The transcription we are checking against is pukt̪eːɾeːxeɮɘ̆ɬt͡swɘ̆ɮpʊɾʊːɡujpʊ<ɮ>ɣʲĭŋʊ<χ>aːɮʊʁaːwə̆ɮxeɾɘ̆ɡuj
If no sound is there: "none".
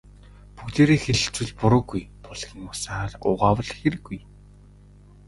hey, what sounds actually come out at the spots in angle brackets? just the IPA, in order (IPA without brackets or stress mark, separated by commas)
ɮ, s